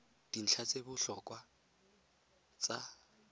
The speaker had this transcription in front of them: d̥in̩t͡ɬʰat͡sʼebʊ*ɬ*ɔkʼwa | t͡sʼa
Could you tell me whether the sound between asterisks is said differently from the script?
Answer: no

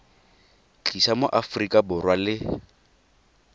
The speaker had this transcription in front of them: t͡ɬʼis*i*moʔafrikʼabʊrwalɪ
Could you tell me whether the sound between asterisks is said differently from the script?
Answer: yes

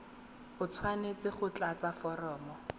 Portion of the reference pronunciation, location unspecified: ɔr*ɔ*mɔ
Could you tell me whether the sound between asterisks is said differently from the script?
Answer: yes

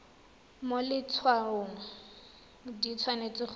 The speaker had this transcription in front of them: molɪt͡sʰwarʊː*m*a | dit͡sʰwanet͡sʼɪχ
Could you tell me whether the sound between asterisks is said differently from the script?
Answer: yes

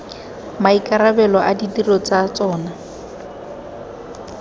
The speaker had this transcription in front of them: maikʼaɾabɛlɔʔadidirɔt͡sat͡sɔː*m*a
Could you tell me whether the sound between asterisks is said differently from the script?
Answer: yes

